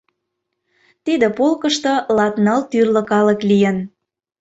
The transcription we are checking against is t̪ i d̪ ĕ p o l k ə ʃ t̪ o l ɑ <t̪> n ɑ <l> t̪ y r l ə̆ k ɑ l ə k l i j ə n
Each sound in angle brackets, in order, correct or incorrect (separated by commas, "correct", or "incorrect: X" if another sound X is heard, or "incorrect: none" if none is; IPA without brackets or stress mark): correct, correct